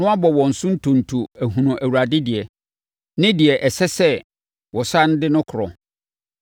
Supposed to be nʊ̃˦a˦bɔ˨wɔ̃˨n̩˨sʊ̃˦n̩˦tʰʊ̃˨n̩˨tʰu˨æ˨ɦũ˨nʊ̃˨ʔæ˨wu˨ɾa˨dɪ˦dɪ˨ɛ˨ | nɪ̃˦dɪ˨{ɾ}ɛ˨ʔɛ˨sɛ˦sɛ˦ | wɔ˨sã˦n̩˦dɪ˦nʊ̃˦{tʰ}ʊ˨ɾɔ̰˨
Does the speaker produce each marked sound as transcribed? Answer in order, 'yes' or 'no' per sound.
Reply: no, no

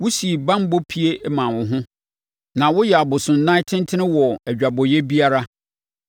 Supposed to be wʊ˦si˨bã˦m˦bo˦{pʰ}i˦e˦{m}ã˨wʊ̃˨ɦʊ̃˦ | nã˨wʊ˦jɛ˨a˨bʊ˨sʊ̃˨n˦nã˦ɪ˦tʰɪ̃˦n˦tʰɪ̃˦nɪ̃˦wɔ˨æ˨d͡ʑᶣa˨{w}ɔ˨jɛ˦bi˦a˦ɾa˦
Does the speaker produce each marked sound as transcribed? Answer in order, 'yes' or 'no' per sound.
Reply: yes, yes, no

